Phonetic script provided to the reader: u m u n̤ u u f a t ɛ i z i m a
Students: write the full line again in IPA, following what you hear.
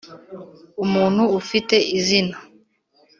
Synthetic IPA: u m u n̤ u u f i t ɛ i z i n a

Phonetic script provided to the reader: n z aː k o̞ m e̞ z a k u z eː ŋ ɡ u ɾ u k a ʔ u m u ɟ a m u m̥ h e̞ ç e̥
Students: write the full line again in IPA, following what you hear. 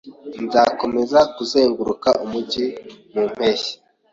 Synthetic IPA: n z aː k o̞ m e̞ z a k u z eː ŋ ɡ u ɾ u k a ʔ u m u ɟ i m u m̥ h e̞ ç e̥

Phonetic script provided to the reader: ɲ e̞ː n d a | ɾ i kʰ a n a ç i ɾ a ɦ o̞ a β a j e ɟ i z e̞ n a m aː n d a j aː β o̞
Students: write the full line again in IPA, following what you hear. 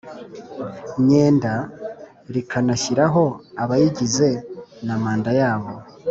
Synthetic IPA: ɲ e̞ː n d a | ɾ i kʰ a n a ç i ɾ a ɦ o̞ a β a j i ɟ i z e̞ n a m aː n d a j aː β o̞

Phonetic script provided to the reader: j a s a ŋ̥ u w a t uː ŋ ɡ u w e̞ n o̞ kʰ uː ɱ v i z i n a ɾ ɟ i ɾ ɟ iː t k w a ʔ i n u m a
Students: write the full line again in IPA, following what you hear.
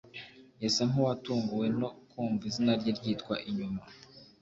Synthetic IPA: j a s a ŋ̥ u w a t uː ŋ ɡ u w e̞ n o̞ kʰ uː ɱ v i z i n a ɾ ɟ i ɾ ɟ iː t k w a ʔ i ɲ u m a

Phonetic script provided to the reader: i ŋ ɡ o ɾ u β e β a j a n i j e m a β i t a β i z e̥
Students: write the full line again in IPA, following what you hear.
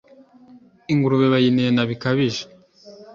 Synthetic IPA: i ŋ ɡ u ɾ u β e β a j i n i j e n a β i k a β i ʒ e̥

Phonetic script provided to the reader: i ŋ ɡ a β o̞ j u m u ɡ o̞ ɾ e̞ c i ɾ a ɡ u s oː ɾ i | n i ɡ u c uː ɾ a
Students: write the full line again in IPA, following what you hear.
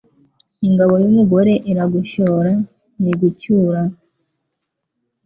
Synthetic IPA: i ŋ ɡ a β o̞ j u m u ɡ o̞ ɾ e̞ ʔ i ɾ a ɡ u ʃ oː ɾ a | n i ɡ u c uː ɾ a

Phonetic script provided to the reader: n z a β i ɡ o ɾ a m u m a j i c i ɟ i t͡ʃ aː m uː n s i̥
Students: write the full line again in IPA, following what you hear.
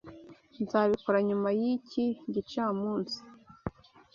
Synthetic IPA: n z a β i k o ɾ a ɲ u m a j i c i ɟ i t͡ʃ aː m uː n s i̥

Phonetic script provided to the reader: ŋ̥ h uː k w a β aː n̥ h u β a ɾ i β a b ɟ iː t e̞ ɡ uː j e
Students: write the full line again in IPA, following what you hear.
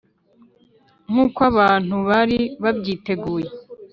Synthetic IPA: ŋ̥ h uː k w a β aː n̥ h u β a ɾ i β a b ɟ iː t e̞ ɡ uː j e

